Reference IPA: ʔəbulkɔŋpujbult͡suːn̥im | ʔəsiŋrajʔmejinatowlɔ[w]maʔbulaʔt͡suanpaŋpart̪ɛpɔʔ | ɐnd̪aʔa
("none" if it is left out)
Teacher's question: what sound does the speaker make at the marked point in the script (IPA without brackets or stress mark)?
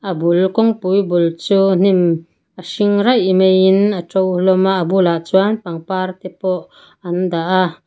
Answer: none